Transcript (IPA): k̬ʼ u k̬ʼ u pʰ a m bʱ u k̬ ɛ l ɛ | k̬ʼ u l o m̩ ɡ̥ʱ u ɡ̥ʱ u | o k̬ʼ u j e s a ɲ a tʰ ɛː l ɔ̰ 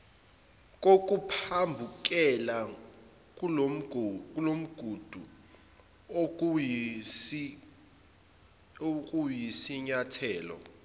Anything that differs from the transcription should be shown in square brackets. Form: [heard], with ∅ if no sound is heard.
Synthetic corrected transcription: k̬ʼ [o] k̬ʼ u pʰ a m bʱ u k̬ ɛ l [a] | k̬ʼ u l o m̩ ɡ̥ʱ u [d̥ʱ] u | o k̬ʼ u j [i] s [i] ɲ a tʰ ɛː l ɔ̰